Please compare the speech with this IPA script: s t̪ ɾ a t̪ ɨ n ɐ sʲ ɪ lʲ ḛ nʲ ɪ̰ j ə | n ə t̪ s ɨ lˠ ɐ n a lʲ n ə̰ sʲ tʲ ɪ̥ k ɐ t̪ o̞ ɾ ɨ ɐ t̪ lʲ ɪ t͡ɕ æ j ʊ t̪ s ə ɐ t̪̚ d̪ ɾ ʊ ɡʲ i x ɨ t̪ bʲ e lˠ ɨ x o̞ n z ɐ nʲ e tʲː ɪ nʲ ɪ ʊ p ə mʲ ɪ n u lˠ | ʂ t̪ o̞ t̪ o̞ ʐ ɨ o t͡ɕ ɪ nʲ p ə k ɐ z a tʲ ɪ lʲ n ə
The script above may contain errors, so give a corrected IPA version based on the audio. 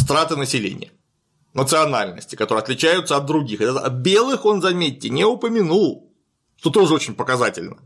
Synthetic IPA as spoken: s t̪ ɾ a t̪ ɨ n ə sʲ ɪ lʲ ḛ nʲ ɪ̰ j ə | n ə t̪ s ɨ ɐ n a lʲ n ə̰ sʲ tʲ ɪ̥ k ɐ t̪ o̞ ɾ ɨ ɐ t̪ lʲ ɪ t͡ɕ æ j ʊ t̪ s ə ɐ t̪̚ d̪ ɾ ʊ ɡʲ i x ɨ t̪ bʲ e lˠ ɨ x o̞ n z ɐ mʲ e tʲː ɪ nʲ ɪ ʊ p ə mʲ ɪ n u lˠ | ʂ t̪ o̞ t̪ o̞ ʐ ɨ o t͡ɕ ɪ nʲ p ə k ɐ z a tʲ ɪ lʲ n ə